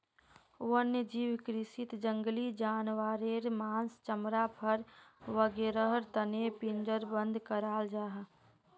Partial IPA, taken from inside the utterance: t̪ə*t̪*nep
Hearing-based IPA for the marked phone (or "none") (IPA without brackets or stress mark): none